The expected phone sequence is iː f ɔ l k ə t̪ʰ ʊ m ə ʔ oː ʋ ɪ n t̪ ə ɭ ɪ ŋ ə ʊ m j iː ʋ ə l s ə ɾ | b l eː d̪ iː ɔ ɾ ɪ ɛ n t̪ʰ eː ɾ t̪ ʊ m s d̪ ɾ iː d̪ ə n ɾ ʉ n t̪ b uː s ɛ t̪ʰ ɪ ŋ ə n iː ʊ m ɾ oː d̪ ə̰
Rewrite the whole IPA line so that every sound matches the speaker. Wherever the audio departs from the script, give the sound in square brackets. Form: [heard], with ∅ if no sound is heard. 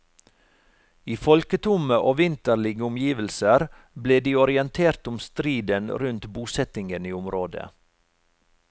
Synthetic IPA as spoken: iː f ɔ l k ə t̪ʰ ʊ m ə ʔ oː ʋ ɪ n t̪ ə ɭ ɪ [ɡ] ə ʊ m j iː ʋ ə l s ə ɾ | b l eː d̪ iː ɔ ɾ ɪ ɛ n t̪ʰ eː ɾ t̪ ʊ m s [t̪] ɾ iː d̪ ə n ɾ ʉ n t̪ b uː s ɛ [t̪] ɪ ŋ ə n iː ʊ m ɾ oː d̪ ə̰